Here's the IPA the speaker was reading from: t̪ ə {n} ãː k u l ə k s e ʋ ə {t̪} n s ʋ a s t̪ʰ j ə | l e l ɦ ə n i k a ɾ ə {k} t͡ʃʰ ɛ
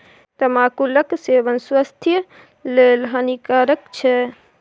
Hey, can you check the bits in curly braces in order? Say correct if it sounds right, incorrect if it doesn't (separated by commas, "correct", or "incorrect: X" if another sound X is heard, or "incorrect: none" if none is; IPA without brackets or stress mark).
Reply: incorrect: m, incorrect: none, correct